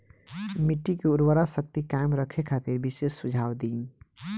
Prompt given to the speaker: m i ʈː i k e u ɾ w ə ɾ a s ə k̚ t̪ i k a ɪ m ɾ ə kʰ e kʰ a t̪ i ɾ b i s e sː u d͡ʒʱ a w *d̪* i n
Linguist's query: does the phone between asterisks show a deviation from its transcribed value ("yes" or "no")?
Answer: no